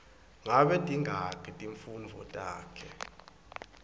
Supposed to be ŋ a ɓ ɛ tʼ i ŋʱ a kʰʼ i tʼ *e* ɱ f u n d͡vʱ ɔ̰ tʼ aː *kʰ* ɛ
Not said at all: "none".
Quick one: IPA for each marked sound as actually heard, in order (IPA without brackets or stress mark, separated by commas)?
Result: i, kʰ